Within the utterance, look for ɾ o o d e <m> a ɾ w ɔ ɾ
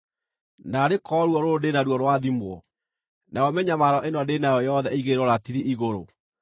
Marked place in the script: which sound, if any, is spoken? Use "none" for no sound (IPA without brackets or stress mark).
n